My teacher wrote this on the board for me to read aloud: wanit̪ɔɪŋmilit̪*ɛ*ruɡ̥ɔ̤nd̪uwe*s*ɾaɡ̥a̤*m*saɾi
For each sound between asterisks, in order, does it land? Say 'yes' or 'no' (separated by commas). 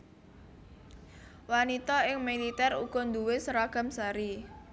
yes, yes, yes